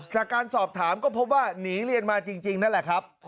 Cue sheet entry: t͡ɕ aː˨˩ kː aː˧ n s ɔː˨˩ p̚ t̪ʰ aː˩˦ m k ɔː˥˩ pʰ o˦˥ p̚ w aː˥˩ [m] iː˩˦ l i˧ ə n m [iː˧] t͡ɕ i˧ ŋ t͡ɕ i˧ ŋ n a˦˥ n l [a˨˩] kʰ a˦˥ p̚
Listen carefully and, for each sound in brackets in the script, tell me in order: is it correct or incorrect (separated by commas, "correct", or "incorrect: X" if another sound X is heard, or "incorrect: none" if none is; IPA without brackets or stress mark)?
incorrect: n, incorrect: aː˧, incorrect: ɛ˨˩